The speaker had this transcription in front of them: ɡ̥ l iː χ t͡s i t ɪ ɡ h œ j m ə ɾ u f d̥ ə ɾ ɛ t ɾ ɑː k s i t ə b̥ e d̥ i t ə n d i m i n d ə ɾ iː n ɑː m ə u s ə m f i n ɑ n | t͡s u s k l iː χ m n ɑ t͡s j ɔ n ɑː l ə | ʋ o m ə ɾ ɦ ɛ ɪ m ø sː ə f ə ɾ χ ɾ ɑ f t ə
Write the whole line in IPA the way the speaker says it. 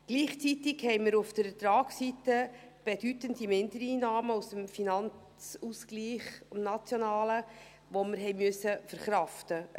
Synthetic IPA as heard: ɡ̥ l iː χ t͡s i t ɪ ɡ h ɛ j m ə ɾ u f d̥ ə ɾ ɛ t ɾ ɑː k s i t ə b̥ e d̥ y t ə n d i m ɪ n d ə ɾ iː n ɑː m ə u s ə m f i n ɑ n | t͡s u s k l iː χ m n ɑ t͡s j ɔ n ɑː l ə | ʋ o m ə ɾ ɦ ɛ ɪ m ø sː ə f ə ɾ χ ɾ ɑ f t ə